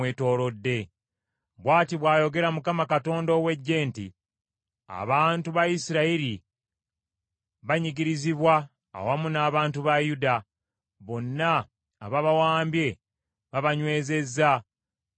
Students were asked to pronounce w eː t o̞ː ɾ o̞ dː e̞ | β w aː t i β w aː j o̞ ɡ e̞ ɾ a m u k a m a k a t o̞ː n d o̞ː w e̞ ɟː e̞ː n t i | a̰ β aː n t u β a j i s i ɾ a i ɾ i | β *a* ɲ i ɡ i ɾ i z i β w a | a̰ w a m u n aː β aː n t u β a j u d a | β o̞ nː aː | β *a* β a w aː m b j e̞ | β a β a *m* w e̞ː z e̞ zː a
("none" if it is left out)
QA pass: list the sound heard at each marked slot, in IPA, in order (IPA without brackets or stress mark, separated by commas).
a, a, ɲ